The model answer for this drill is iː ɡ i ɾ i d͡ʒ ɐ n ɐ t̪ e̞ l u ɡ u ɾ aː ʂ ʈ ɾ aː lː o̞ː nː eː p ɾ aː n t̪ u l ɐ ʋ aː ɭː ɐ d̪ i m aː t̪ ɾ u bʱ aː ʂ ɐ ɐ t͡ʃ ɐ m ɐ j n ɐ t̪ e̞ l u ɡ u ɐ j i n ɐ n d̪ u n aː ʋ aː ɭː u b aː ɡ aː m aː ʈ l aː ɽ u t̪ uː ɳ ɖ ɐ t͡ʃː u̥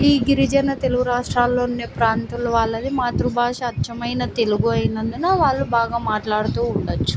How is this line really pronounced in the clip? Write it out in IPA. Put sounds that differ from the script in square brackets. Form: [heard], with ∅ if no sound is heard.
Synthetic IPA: iː ɡ i ɾ i d͡ʒ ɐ n ɐ t̪ e̞ l u ɡ u ɾ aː ʂ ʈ ɾ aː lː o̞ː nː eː p ɾ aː n t̪ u l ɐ ʋ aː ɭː ɐ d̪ i m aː t̪ ɾ u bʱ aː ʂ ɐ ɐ t͡ʃ ɐ m ɐ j n ɐ t̪ e̞ l u ɡ u ɐ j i n ɐ n d̪ u n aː ʋ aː ɭː u b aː ɡ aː m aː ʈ l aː ɽ u t̪ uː ɳ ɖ ɐ t͡ʃː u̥